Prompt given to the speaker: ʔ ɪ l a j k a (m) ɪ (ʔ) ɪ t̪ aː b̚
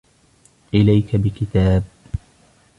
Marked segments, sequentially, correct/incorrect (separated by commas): incorrect, incorrect